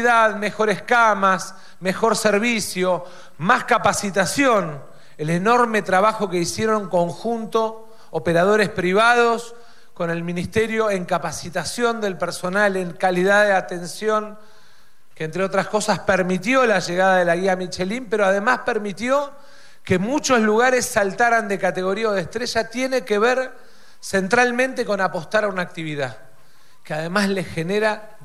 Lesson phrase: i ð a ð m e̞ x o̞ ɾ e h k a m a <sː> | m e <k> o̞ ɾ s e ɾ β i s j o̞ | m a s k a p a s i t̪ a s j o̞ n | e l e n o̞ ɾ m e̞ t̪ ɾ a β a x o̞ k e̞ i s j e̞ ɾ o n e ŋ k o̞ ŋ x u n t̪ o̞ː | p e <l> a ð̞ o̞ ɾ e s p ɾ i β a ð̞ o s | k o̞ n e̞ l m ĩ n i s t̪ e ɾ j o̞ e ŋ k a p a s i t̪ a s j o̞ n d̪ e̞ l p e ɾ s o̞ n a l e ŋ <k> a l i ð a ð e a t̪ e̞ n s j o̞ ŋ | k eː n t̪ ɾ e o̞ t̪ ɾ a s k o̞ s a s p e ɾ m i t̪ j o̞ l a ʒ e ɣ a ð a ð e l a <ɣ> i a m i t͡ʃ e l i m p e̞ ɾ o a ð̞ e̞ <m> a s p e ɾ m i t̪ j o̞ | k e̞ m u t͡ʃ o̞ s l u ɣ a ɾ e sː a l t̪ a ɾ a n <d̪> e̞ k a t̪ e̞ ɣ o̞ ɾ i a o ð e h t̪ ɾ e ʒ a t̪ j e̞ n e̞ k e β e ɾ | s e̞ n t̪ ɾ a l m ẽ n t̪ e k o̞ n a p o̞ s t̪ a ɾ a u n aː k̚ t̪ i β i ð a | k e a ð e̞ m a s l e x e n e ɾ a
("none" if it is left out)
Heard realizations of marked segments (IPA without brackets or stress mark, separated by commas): s, x, ɾ, k, ɣ, m, d̪